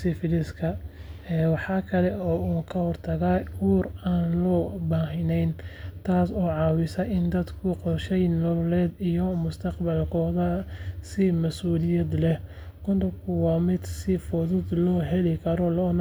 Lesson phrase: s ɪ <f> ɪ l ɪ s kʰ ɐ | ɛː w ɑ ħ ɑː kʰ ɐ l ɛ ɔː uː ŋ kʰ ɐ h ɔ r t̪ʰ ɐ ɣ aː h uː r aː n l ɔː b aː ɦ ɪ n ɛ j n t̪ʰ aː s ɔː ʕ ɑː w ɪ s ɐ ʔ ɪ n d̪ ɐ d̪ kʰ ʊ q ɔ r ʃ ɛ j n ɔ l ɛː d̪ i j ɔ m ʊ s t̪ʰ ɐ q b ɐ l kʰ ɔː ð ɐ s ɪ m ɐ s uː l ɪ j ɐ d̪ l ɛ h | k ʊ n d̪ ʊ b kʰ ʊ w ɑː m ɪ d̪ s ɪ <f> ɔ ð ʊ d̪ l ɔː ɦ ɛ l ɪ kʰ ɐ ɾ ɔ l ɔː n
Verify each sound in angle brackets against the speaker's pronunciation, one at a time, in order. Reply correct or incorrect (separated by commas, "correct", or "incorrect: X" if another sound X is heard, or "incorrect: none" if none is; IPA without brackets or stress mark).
correct, correct